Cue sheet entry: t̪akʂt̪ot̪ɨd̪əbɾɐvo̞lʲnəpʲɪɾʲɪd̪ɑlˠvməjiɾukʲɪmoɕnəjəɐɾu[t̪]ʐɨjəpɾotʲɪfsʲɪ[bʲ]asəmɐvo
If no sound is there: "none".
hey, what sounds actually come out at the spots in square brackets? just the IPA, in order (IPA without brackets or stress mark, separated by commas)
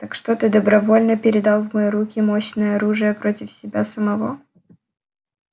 none, bʲ